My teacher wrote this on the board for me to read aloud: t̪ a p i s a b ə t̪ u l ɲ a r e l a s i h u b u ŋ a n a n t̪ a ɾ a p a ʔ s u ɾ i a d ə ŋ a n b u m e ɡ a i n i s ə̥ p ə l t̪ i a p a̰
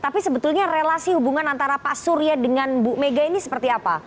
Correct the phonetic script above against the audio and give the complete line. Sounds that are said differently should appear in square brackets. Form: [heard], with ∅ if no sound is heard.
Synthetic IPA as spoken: t̪ a p i s [ə] b ə t̪ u l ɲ a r e l a s i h u b u ŋ a n a n t̪ a ɾ a p a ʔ s u ɾ i a d ə ŋ a n b u m e ɡ a i n i s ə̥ p ə [r] t̪ i a p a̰